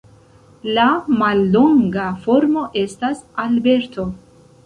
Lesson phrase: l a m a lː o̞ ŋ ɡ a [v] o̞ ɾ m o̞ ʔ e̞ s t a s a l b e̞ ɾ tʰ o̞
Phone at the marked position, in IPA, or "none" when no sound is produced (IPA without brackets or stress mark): f